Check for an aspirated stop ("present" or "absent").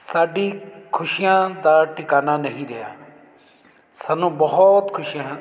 present